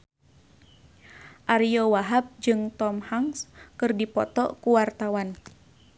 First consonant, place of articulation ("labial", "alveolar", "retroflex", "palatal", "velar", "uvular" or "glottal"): glottal